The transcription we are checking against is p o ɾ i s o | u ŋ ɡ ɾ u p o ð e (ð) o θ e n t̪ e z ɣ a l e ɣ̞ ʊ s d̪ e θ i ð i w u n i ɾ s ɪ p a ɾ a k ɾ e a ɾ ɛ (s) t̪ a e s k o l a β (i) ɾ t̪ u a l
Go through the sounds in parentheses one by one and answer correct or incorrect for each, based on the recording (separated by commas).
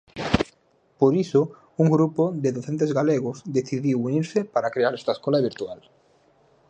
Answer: correct, correct, correct